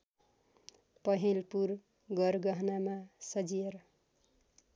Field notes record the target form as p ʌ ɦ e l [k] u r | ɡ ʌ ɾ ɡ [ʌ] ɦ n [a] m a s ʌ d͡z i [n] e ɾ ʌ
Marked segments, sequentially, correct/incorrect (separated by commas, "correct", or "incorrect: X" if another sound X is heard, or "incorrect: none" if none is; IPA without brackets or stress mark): incorrect: p, correct, correct, incorrect: none